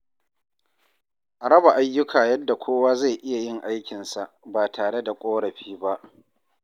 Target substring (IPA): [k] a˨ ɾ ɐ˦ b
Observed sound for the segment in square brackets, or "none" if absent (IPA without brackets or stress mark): ʔ